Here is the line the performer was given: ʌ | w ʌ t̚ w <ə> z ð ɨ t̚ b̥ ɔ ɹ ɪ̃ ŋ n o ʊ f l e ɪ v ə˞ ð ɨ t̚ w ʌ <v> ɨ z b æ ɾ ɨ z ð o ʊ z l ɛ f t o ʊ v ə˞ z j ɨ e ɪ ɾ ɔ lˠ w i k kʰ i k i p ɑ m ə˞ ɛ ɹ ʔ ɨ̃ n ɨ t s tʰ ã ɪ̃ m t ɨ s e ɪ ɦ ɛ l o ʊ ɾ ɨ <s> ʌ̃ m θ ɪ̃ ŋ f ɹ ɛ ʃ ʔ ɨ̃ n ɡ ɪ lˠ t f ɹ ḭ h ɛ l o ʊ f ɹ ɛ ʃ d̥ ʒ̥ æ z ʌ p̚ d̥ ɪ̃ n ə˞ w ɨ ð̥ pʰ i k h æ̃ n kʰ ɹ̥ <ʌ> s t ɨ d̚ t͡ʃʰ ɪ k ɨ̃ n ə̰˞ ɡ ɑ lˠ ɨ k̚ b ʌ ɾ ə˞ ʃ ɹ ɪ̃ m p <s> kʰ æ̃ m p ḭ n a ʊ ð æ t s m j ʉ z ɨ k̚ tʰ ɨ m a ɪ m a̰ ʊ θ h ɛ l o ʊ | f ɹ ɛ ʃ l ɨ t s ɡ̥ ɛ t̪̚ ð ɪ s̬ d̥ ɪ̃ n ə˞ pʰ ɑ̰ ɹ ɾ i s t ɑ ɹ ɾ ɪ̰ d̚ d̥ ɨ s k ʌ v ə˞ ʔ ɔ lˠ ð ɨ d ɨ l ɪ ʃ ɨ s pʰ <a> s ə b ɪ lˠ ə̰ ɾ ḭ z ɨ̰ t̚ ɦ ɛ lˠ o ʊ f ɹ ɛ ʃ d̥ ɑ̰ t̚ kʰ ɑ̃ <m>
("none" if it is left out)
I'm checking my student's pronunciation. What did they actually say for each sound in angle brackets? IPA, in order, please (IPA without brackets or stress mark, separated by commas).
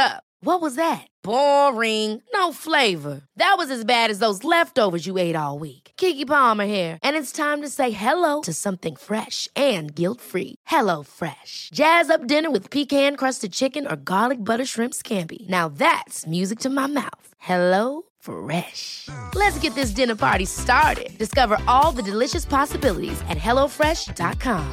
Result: ʌ, z, s, ʌ, s, ɑ, m